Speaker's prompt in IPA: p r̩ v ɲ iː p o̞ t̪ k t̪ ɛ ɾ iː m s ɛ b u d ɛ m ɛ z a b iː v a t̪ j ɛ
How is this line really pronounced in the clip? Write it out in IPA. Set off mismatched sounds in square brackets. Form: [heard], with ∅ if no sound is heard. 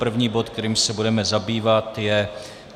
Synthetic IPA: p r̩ v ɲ iː [b] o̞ t̪ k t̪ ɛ ɾ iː m s ɛ b u d ɛ m ɛ z a b iː v a t̪ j ɛ